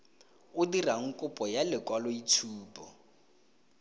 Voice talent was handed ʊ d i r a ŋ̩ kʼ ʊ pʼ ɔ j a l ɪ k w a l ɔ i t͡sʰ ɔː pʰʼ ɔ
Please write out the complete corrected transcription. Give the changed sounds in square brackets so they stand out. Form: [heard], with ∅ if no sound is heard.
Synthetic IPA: ʊ d i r a ŋ̩ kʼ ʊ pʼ ɔ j a l ɪ k w a l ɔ i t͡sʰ [uː] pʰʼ ɔ